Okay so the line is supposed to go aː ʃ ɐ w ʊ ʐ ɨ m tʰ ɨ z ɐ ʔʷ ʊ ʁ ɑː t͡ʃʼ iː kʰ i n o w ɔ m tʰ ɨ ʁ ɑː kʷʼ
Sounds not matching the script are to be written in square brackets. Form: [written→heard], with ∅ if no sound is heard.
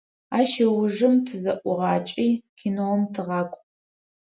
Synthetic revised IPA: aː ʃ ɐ w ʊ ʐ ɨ m tʰ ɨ z ɐ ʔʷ ʊ ʁ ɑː t͡ʃʼ iː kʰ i n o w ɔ m tʰ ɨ ʁ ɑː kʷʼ